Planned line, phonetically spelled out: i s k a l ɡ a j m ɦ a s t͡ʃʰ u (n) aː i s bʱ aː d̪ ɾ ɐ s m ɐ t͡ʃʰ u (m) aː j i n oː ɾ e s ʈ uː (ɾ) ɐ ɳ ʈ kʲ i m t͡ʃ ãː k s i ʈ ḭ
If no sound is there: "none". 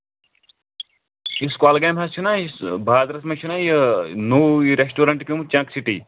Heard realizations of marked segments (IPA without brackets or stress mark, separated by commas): n, n, ɾ